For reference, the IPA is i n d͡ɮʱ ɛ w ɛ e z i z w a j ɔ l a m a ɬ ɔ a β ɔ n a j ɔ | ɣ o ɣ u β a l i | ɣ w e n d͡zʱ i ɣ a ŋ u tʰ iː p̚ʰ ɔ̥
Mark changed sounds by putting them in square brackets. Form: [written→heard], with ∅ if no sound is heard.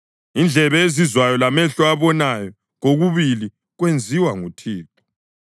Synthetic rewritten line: i n d͡ɮʱ ɛ [w→β] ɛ e z i z w a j ɔ l a m [a→ɛ] ɬ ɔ a β ɔ n a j ɔ | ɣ o ɣ u β [a→i] l i | ɣ w e n d͡zʱ i [ɣ→w] a ŋ u tʰ iː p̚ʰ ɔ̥

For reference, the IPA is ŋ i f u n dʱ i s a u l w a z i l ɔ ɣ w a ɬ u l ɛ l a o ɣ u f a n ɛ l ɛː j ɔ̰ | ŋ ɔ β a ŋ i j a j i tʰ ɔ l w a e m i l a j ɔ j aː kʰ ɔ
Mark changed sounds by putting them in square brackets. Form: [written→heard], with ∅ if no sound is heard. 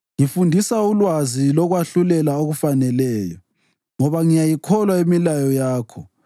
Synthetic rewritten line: ŋ i f u n dʱ i s a u l w a z i l ɔ ɣ w a ɬ u l ɛ l a o ɣ u f a n ɛ l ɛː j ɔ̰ | ŋ ɔ β a ŋ i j a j i [tʰ→kʰ] ɔ l w a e m i l a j ɔ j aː kʰ ɔ

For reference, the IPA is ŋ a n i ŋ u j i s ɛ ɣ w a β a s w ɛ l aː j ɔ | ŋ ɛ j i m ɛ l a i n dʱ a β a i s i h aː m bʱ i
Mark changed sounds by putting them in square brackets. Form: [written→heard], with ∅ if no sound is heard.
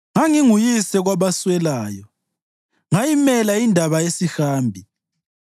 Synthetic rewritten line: ŋ a [n→ŋ] i ŋ u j i s ɛ ɣ w a β a s w ɛ l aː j ɔ | ŋ [ɛ→a] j i m ɛ l a i n dʱ a β a [i→e] s i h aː m bʱ i

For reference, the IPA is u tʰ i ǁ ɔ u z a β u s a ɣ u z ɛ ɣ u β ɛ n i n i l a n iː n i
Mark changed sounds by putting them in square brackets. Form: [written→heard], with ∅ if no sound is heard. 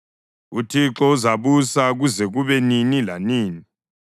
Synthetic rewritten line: u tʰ i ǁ ɔ u z a β u s a ɣ u z ɛ ɣ u β ɛ n i n i l a n iː n i

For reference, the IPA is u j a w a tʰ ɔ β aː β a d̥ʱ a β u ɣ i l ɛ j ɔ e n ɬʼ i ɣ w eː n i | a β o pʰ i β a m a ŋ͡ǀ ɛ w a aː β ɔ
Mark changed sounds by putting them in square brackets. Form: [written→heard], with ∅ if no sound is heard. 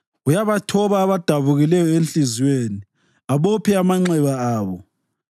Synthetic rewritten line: u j a [w→β] a tʰ ɔ β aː β a d̥ʱ a β u ɣ i l ɛ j ɔ e n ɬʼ i [ɣ→z] w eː n i | a β o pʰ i [β→∅] a m a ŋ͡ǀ ɛ [w→β] a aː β ɔ

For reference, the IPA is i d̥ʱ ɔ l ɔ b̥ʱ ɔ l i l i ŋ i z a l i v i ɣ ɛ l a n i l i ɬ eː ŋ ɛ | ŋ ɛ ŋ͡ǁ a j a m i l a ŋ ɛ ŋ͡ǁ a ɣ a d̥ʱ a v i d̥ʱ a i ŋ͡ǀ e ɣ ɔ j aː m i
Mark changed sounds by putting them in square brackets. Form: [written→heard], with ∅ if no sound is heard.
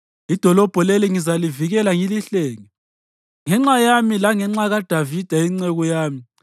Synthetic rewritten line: i d̥ʱ ɔ l ɔ b̥ʱ ɔ l [i→e] l i ŋ i z a l i v i ɣ ɛ l a [n→ŋ] i l i ɬ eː ŋ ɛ | ŋ ɛ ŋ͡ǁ a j a m i l a ŋ ɛ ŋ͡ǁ a ɣ a d̥ʱ a v i d̥ʱ a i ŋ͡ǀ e ɣ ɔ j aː m i

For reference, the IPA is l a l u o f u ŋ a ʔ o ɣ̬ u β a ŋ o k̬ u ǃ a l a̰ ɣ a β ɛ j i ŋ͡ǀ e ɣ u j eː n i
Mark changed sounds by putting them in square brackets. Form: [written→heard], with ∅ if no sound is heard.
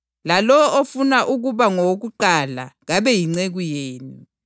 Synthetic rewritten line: l a l [u→ɔ] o f u [ŋ→n] a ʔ [o→u] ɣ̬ u β a ŋ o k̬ u ǃ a l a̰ ɣ a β ɛ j i ŋ͡ǀ e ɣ u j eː n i

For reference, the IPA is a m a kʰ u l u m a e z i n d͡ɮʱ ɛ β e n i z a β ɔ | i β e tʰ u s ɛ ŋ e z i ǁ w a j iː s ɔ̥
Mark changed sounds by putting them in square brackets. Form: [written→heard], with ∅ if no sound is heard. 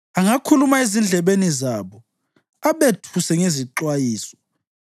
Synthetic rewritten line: a [m→ŋ] a kʰ u l u m a e z i n d͡ɮʱ ɛ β e n i z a β ɔ | [i→a] β e tʰ u s ɛ ŋ e z i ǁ w a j iː s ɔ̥

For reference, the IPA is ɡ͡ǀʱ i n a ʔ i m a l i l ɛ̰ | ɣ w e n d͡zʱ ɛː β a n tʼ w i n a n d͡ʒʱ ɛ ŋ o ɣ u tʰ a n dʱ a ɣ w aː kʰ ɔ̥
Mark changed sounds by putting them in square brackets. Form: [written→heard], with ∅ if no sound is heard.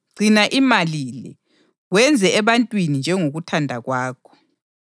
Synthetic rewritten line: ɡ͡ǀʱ i n a ʔ i m a l i l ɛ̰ | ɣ w [e→ɛ] n d͡zʱ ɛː β a n tʼ w i n [a→i] n d͡ʒʱ ɛ ŋ o ɣ u tʰ a n dʱ a ɣ w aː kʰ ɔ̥

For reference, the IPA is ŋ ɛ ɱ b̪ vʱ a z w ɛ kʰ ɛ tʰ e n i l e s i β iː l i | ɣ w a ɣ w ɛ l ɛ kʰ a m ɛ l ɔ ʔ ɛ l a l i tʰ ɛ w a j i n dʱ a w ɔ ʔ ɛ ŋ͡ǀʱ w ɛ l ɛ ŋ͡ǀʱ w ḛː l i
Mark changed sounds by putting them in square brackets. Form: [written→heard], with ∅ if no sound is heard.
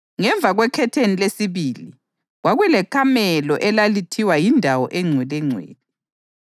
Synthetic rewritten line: ŋ ɛ ɱ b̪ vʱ a [z→ɣ] w ɛ kʰ ɛ tʰ e n i l e s i β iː l i | ɣ w a ɣ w ɛ l ɛ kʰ a m ɛ l ɔ ʔ ɛ l a l i tʰ [ɛ→i] w a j i n dʱ a w ɔ ʔ ɛ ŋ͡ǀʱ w ɛ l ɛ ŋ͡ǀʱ w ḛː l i

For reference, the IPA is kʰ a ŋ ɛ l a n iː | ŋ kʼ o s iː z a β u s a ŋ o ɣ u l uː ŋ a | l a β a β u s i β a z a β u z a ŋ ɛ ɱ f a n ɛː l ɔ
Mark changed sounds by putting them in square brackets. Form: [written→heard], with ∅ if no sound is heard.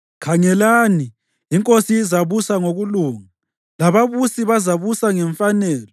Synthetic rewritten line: kʰ a ŋ ɛ l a n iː | ŋ kʼ o s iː z a β u s a ŋ o ɣ u l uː ŋ a | l a β a β u s i β a z a β u [z→s] a ŋ ɛ ɱ f a n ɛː l ɔ

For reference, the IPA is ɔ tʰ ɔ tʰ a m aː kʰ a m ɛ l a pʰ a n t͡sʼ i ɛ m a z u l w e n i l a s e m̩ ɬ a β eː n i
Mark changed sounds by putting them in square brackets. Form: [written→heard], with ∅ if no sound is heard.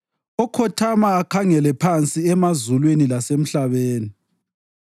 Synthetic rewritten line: ɔ [tʰ→kʰ] ɔ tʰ a m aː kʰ a [m→ŋ] ɛ l [a→ɛ] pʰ a n t͡sʼ i ɛ m a z u l w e n i l a s e m̩ ɬ a β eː n i

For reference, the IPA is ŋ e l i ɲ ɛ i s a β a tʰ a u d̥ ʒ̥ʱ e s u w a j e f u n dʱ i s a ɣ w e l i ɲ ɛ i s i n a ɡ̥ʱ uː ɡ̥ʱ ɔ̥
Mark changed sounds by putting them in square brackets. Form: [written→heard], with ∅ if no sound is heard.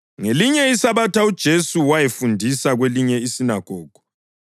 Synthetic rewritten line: ŋ e l i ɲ ɛ i s a β a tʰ a u d̥ ʒ̥ʱ e s u w a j e f u n dʱ i s a ɣ w e l i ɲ ɛ i s i n a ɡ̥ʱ [uː→ɔː] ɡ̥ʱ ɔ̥

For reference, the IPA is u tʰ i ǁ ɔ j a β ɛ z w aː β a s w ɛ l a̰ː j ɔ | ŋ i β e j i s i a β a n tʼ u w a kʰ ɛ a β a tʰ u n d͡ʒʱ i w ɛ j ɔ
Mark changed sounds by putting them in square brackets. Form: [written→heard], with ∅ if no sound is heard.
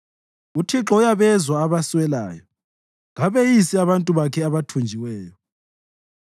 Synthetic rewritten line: u tʰ i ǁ ɔ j a β ɛ z w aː β a s w ɛ l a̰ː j ɔ | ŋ [i→a] β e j i s i a β a n tʼ u [w→β] a kʰ ɛ a β a tʰ u n d͡ʒʱ i w [ɛ→ɛː] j ɔ

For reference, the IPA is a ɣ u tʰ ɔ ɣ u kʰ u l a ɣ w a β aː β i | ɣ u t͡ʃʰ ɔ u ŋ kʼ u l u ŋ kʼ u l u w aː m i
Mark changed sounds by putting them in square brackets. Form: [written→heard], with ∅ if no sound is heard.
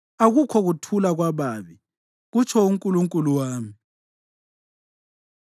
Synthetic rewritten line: a ɣ u [tʰ→kʰ] ɔ ɣ u [kʰ→tʰ] u l a ɣ w a β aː β i | ɣ u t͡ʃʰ ɔ u ŋ kʼ u l u ŋ kʼ u l u w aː m i

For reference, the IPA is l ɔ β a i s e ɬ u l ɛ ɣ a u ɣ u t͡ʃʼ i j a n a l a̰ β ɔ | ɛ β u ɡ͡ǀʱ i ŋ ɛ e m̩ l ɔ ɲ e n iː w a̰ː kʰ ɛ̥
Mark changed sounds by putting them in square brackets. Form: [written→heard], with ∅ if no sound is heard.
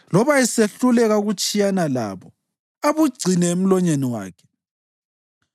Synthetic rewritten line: l ɔ β a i s e ɬ u l ɛ ɣ a u ɣ u t͡ʃʼ i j a n a l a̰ β ɔ | [ɛ→a] β u ɡ͡ǀʱ i [ŋ→n] ɛ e m̩ l ɔ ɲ e n [iː→i] w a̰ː kʰ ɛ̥

